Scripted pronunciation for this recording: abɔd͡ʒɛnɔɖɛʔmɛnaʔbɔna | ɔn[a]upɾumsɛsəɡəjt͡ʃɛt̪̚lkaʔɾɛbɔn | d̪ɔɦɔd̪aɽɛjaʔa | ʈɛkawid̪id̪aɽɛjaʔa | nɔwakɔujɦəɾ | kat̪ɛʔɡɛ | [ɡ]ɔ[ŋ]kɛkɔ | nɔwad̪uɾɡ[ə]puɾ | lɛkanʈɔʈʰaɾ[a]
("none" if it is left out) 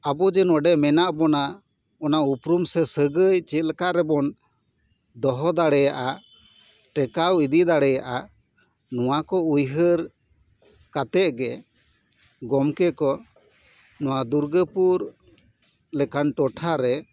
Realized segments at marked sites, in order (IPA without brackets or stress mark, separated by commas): a, ɡ, m, ə, ɛ